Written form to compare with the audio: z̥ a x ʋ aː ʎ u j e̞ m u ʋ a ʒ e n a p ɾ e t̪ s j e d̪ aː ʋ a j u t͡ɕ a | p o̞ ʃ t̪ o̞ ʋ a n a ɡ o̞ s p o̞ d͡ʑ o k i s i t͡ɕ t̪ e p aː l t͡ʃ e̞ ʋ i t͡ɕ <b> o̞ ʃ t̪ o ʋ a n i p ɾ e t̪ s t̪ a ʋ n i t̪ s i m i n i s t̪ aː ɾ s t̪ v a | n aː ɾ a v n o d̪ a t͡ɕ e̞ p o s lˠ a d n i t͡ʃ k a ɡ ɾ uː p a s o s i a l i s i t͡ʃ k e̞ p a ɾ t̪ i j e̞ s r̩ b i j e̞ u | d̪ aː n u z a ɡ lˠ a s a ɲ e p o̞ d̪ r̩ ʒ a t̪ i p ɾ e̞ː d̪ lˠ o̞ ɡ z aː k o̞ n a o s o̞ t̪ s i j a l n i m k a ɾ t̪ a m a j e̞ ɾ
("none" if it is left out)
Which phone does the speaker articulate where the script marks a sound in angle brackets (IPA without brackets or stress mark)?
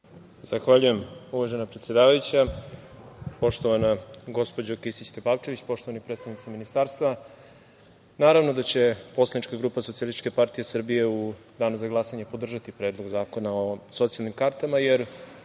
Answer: p